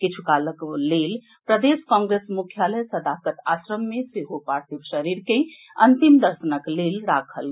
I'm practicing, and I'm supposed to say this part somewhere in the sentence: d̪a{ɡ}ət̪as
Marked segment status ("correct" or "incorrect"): incorrect